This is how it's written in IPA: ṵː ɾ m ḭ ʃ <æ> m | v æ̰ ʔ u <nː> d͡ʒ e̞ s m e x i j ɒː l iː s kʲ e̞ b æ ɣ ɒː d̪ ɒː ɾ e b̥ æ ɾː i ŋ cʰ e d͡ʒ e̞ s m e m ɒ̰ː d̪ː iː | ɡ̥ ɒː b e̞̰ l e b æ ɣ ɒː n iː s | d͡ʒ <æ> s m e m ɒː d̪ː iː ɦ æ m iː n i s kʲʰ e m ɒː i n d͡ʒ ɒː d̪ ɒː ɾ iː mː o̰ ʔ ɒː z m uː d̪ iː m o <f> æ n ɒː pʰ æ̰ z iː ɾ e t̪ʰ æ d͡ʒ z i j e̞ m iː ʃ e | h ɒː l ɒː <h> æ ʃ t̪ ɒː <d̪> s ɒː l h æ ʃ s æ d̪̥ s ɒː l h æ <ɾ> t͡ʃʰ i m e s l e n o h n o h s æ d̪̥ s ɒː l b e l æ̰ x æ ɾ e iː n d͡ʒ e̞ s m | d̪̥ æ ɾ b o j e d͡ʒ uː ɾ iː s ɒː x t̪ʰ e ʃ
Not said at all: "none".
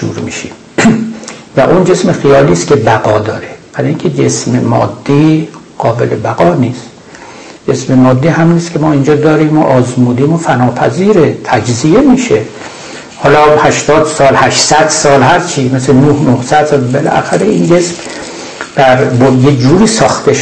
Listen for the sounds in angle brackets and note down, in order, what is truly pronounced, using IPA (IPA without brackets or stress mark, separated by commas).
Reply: i, n, e, f, h, d̪, ɾ